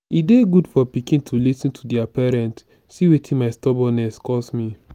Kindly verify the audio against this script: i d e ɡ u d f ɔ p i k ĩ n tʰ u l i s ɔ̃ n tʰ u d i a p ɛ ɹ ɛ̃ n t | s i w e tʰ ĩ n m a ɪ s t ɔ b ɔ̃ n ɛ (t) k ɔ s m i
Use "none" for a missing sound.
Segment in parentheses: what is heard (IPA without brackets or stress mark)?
s